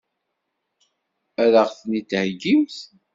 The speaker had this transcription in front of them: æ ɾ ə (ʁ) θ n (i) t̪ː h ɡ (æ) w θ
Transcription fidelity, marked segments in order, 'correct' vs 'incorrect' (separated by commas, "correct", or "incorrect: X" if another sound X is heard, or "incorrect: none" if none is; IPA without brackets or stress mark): correct, correct, incorrect: i